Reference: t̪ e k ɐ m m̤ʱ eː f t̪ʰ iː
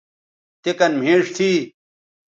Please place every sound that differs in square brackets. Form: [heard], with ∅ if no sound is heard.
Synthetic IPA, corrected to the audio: t̪ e k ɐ [n] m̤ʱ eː [ʂ] t̪ʰ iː